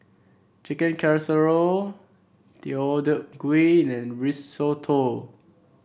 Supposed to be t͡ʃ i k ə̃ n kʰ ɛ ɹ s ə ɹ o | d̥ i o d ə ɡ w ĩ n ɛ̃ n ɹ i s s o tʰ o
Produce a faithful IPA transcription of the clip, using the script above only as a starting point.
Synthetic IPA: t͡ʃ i k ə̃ n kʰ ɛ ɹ s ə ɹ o | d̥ i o d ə ɡ w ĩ n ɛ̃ n ɹ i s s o tʰ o